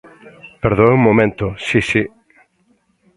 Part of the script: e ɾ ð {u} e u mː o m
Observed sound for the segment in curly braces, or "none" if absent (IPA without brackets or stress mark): o